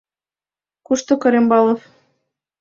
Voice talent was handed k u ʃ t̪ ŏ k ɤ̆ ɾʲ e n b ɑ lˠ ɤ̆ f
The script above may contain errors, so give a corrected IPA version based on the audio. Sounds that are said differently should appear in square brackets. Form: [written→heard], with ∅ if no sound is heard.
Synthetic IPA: k u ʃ t̪ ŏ k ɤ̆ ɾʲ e [n→m] b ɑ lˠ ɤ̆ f